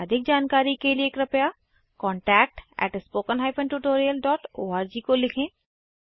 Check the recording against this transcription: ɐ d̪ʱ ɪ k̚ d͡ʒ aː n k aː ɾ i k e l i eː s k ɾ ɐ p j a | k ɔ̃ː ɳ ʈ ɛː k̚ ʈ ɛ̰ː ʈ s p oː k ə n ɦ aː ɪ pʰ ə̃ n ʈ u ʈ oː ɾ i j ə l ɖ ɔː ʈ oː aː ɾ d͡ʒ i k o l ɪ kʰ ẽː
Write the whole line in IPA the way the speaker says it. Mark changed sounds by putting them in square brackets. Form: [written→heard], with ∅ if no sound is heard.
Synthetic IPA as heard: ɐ d̪ʱ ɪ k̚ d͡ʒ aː n k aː ɾ i k e l i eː [s→∅] k ɾ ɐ p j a | k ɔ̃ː ɳ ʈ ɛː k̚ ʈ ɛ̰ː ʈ s p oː k ə n ɦ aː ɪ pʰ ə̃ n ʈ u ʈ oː ɾ i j ə l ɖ ɔː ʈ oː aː ɾ d͡ʒ i k o l ɪ kʰ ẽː